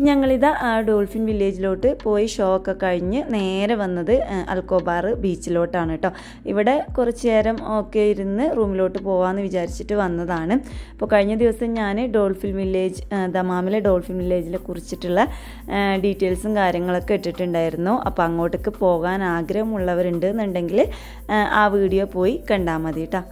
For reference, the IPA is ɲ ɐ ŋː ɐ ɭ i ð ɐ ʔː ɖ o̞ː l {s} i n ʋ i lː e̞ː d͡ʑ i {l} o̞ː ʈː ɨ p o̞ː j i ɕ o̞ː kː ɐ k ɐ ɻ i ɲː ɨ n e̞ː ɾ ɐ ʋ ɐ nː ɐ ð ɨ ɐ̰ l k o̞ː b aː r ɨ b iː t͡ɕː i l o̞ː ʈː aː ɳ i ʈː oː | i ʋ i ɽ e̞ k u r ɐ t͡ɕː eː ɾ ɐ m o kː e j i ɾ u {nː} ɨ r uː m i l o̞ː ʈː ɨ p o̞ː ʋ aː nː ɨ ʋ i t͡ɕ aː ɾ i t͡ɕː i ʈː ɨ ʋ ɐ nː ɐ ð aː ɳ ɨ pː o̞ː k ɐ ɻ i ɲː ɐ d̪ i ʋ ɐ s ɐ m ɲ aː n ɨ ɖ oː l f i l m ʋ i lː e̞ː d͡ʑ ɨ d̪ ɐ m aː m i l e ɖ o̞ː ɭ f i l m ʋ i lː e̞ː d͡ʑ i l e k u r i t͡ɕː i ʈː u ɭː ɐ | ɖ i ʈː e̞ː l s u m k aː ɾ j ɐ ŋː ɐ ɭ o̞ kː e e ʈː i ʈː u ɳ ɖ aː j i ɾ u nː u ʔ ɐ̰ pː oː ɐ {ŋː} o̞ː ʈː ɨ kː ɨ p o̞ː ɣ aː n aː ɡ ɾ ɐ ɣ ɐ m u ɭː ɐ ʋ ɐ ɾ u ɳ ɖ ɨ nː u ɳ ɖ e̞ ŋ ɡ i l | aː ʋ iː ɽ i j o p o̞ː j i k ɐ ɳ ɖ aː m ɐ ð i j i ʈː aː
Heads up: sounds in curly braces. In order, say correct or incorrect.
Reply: incorrect, correct, correct, correct

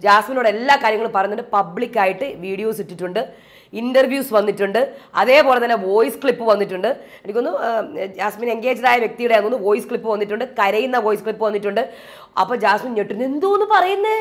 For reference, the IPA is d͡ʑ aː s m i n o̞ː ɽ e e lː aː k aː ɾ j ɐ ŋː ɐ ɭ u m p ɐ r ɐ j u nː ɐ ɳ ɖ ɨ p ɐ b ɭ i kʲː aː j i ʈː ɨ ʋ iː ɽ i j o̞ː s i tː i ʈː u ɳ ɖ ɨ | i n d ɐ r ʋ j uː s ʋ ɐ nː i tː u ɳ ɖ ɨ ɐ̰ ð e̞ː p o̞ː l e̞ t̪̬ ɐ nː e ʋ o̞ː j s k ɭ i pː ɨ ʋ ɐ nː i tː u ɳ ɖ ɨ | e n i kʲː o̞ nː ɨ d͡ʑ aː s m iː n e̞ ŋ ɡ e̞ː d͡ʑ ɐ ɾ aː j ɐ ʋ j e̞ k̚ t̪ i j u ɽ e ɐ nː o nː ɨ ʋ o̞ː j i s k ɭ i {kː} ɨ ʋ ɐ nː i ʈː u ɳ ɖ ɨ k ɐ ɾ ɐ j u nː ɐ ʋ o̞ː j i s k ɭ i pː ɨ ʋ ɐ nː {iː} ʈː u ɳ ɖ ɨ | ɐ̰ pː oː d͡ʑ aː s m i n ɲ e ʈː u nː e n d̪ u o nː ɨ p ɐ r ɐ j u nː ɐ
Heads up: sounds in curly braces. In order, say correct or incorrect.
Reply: incorrect, incorrect

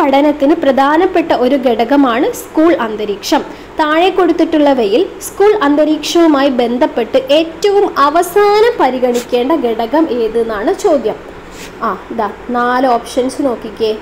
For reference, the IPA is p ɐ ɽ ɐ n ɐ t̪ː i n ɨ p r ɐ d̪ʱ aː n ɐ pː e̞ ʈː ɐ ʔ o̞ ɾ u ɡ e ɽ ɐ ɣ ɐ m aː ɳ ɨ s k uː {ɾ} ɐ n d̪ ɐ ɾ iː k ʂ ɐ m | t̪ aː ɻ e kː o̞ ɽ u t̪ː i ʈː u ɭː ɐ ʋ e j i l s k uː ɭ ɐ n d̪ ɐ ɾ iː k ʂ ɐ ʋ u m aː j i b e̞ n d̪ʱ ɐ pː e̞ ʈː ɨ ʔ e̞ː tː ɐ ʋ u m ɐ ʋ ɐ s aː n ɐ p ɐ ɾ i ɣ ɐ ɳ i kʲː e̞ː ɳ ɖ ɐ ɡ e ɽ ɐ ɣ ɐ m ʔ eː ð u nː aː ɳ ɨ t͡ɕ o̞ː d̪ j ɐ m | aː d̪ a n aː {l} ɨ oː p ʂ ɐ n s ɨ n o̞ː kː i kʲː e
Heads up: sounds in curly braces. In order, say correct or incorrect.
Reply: incorrect, correct

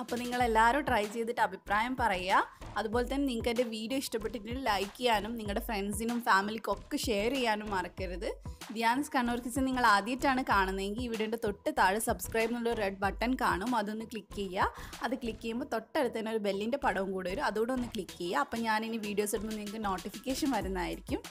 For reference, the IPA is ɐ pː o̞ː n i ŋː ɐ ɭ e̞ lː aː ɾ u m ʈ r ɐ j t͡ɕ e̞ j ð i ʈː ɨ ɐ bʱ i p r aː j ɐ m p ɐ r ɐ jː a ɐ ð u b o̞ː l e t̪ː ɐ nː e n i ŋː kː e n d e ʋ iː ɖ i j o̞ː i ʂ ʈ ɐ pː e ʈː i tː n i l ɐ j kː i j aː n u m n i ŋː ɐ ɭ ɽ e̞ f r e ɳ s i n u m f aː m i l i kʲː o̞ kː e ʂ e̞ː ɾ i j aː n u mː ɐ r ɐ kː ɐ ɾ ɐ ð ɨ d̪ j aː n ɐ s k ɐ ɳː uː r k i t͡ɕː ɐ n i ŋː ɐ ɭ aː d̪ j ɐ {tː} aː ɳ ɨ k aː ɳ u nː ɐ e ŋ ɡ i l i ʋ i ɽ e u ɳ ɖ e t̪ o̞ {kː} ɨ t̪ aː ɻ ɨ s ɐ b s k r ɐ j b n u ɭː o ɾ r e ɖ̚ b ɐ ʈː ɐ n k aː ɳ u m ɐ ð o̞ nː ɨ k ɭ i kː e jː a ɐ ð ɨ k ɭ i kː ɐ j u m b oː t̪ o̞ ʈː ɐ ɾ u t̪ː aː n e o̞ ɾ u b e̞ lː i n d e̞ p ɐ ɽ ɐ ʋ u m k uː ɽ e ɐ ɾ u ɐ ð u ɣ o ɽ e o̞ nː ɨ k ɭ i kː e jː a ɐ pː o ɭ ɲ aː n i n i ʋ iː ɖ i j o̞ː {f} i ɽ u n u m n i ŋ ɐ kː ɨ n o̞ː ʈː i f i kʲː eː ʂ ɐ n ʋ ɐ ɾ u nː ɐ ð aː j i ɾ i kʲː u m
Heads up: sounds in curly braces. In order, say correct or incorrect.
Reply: correct, incorrect, incorrect

